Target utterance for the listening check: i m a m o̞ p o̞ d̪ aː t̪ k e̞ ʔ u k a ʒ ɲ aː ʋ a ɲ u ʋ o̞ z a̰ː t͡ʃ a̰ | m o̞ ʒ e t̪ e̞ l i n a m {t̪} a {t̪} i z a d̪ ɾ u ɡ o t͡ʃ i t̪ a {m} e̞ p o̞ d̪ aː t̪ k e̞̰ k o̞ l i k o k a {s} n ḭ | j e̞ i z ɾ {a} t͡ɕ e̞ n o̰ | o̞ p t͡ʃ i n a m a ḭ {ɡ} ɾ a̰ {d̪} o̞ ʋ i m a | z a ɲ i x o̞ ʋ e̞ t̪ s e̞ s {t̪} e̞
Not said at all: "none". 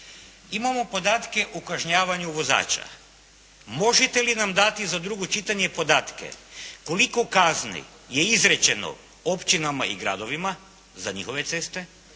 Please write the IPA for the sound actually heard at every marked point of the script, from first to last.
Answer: d̪, t̪, ɲ, z, e, ɡ, d̪, t̪

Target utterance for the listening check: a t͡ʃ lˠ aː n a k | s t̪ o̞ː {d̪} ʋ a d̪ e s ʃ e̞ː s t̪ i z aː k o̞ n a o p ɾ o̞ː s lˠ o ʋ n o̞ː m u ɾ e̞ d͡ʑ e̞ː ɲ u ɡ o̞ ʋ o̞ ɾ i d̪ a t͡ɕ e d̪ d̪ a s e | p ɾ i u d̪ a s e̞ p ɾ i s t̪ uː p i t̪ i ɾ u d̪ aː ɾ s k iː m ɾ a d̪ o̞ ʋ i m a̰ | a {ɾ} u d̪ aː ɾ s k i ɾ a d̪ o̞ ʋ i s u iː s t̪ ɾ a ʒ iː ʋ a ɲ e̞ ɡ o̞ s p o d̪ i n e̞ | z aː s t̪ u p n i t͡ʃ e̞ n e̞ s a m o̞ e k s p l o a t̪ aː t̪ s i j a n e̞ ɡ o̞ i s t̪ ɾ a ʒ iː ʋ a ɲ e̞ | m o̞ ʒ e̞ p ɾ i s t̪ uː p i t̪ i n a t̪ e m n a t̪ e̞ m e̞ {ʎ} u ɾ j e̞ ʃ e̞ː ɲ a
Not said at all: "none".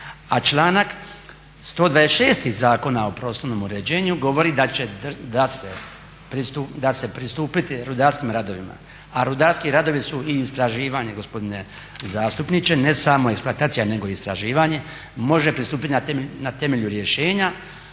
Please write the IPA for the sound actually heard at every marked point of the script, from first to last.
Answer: d̪, ɾ, ʎ

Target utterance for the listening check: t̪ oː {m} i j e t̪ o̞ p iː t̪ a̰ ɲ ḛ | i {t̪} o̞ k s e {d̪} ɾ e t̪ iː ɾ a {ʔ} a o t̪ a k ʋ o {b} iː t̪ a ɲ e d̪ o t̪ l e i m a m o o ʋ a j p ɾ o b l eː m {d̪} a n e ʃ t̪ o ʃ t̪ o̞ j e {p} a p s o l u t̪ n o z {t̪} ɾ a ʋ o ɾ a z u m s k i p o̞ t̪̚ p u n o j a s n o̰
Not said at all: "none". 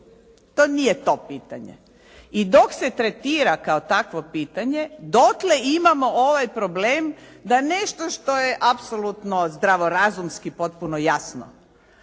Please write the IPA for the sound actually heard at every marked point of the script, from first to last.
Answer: n, d̪, t̪, k, p, d̪, ʔ, d̪

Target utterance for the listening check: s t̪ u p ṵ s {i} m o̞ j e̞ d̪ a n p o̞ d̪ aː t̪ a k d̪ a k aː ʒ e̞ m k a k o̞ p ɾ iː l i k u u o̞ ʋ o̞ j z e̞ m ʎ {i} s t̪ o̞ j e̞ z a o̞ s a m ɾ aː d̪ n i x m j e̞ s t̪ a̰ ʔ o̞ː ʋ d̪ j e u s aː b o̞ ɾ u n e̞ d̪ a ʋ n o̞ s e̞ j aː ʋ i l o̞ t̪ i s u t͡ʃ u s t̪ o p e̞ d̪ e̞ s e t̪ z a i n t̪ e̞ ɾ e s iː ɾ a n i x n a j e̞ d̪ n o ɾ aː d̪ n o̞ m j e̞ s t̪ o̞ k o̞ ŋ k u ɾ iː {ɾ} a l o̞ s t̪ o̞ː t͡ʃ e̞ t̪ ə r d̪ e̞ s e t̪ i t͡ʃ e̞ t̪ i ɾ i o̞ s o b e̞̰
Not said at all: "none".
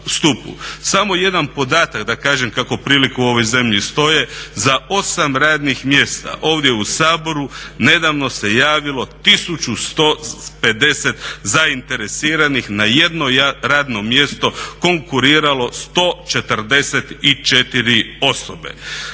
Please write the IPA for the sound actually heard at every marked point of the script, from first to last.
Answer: a, i, ɾ

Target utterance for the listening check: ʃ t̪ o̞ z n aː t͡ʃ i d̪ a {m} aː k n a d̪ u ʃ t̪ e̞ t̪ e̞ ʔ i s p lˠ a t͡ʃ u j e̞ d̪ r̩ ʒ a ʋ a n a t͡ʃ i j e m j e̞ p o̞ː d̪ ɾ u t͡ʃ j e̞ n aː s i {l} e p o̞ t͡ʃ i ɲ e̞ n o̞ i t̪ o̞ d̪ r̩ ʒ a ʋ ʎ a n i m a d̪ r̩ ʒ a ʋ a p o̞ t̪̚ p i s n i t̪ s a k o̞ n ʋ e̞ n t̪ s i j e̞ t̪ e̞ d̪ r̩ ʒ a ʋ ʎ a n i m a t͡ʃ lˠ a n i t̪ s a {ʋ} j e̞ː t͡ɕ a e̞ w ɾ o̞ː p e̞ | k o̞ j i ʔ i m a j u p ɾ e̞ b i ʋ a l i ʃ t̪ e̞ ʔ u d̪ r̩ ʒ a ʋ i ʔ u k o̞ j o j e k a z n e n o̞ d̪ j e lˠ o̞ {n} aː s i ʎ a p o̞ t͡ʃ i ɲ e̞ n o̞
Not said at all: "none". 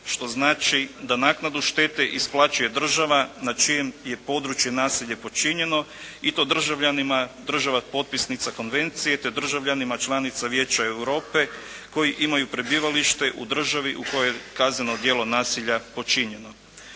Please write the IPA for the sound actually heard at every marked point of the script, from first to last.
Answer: n, ʎ, ʋ, n

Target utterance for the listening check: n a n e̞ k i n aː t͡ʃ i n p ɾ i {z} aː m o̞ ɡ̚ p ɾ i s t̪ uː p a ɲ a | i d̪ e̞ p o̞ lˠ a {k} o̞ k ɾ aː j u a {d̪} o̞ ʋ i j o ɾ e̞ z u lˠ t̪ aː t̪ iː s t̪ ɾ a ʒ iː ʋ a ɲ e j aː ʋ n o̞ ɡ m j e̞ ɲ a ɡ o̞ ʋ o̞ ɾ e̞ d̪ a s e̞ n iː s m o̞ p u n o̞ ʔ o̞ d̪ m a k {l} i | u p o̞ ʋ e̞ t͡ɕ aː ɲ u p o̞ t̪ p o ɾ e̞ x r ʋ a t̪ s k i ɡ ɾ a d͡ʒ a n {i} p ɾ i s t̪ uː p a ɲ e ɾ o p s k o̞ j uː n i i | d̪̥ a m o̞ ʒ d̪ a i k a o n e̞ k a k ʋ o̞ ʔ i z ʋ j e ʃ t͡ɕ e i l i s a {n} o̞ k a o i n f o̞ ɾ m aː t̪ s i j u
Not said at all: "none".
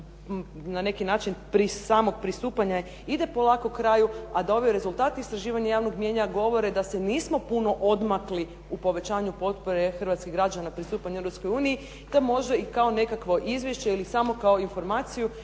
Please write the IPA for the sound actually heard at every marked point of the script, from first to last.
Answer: s, k, d̪, l, a, m

